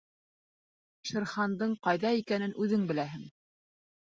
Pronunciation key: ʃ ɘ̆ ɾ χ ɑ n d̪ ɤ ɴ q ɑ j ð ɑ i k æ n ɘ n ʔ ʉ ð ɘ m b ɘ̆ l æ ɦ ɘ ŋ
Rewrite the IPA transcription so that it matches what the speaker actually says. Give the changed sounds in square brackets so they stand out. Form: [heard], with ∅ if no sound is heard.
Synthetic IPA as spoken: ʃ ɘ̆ ɾ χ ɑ n d̪ ɤ ɴ q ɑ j ð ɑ i k æ n ɘ n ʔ ʉ ð ɘ [ŋ] b ɘ̆ l æ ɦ ɘ ŋ